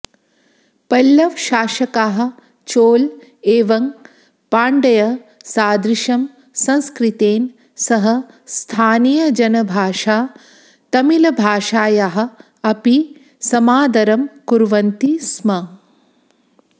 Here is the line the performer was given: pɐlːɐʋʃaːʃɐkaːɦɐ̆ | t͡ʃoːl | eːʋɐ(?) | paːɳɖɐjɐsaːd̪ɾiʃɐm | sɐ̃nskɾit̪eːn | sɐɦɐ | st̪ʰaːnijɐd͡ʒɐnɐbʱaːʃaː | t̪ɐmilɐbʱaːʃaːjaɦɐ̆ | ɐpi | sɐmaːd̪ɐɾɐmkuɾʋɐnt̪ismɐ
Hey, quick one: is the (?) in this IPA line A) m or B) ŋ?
B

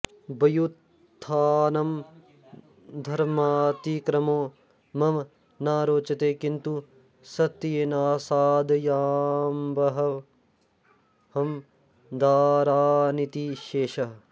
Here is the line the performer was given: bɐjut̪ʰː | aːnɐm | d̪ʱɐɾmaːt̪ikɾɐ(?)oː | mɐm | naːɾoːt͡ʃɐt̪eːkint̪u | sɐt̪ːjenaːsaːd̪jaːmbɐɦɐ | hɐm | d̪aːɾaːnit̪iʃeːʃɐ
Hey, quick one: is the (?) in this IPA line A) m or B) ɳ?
A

